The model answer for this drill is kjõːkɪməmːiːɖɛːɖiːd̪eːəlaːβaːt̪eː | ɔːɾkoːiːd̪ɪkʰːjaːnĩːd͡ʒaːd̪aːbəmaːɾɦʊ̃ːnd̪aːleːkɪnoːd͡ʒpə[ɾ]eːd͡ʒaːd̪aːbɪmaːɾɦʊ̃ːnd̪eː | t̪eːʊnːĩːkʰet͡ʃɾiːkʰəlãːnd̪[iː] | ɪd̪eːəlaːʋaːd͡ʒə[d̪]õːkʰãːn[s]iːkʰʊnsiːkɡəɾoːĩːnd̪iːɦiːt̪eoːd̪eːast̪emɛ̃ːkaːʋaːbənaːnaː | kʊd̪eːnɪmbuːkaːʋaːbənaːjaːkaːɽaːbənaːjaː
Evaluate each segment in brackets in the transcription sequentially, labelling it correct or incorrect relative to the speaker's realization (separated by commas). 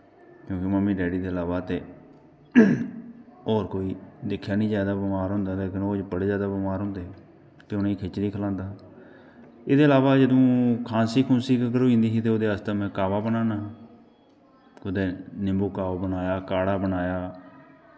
incorrect, incorrect, correct, correct